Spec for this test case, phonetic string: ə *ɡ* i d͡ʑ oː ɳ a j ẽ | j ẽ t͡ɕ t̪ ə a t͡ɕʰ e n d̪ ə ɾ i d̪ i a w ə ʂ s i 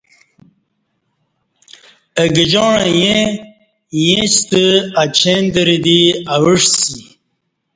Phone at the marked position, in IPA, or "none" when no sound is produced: ɡ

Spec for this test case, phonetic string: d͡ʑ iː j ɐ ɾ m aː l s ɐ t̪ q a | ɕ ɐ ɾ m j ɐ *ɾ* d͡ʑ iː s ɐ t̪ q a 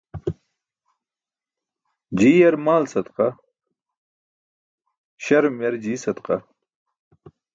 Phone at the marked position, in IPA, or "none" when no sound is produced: ɾ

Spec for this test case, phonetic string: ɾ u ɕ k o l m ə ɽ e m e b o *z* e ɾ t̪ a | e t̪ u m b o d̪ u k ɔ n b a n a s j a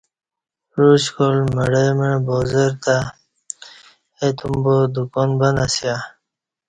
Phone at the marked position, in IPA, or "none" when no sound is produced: z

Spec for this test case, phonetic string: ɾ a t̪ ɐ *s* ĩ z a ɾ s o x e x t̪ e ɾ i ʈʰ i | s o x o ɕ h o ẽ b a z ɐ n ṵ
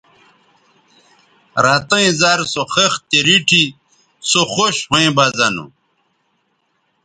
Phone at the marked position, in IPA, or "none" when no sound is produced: none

